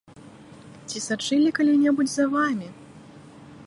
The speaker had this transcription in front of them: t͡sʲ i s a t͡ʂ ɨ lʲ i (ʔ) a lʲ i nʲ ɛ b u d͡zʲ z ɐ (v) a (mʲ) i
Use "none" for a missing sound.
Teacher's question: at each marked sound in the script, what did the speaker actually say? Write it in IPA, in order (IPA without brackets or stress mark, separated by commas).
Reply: k, v, mʲ